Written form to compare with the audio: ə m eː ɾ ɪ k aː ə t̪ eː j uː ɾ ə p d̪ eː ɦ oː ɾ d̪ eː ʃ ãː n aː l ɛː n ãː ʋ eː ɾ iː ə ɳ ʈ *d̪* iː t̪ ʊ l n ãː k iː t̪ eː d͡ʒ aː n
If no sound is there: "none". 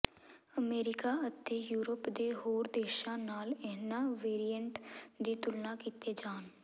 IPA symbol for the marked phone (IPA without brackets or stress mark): d̪